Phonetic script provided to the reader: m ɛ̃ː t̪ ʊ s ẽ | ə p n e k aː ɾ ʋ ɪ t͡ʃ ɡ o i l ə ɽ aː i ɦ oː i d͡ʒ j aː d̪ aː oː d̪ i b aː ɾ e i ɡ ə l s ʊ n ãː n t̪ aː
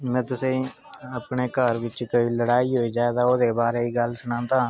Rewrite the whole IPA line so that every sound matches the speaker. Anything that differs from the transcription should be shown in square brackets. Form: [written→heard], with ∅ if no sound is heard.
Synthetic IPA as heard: m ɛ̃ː t̪ ʊ s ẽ | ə p n e k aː ɾ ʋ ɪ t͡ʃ [ɡ→k] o i l ə ɽ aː i ɦ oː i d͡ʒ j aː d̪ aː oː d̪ [i→e] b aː ɾ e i ɡ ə l s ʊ n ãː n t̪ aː